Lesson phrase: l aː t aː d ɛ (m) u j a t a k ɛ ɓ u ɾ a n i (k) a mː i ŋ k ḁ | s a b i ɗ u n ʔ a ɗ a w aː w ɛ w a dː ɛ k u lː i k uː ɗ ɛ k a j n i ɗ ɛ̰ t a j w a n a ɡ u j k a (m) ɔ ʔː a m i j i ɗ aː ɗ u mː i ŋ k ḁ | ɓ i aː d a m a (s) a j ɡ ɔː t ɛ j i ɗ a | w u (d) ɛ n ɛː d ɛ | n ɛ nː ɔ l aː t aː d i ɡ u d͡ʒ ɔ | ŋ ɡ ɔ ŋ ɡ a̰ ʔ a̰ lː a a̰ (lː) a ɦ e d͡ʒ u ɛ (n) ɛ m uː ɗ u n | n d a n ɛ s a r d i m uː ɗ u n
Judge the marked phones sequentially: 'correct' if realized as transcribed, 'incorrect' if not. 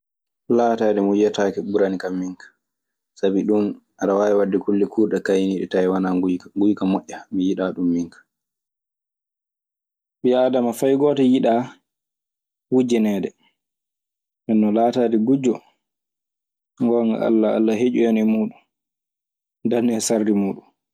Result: correct, correct, correct, incorrect, incorrect, correct, correct

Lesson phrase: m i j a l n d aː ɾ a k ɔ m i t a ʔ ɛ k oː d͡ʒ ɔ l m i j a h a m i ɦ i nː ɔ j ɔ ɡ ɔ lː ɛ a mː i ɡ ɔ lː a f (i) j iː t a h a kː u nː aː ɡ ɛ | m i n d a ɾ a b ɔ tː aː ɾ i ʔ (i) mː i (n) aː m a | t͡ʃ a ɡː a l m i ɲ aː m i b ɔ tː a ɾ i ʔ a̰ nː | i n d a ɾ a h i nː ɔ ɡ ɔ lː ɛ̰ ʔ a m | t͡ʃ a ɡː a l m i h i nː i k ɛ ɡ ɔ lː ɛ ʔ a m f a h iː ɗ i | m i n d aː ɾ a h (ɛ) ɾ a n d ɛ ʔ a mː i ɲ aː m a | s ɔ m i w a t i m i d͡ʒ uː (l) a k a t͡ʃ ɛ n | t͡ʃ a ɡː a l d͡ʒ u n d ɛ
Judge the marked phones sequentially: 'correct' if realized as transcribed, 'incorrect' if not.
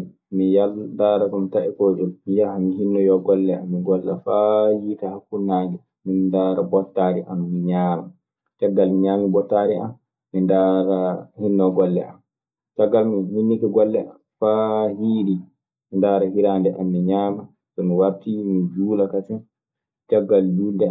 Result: incorrect, incorrect, incorrect, incorrect, correct

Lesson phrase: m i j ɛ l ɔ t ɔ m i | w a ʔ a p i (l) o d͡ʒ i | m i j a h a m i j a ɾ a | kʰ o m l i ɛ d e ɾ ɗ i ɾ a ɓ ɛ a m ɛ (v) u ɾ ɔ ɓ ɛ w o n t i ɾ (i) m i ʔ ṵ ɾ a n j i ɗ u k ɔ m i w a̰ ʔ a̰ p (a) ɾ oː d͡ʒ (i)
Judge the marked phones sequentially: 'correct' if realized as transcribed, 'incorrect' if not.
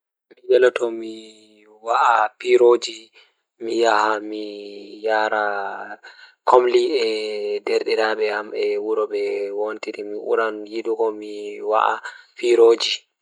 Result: incorrect, incorrect, correct, incorrect, correct

